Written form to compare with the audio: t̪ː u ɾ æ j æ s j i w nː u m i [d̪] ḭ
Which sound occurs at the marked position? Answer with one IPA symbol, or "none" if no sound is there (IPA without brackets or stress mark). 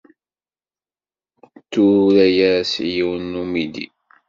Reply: d̪